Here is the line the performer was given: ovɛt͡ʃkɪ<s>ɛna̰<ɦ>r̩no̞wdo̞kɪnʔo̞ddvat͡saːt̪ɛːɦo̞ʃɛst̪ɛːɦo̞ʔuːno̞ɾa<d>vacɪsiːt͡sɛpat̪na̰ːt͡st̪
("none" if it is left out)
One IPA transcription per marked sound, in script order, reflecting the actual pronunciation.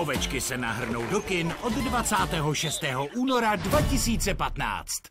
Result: s, ɦ, d

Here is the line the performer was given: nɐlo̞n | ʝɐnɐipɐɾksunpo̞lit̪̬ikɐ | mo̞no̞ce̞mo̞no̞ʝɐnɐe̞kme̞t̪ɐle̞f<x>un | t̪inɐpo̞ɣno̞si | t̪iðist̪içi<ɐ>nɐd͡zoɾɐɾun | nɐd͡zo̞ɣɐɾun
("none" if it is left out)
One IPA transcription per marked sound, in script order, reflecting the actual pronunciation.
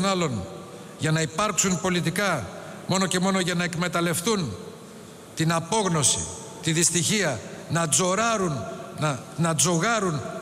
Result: θ, ɐ

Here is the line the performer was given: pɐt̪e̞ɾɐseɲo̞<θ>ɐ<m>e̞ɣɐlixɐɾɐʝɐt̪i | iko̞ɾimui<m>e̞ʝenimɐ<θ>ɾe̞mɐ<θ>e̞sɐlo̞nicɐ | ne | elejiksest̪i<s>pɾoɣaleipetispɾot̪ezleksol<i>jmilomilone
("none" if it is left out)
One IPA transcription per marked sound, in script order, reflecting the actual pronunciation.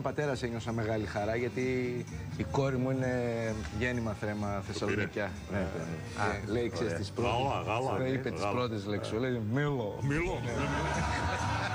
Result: s, m, n, θ, θ, s, e

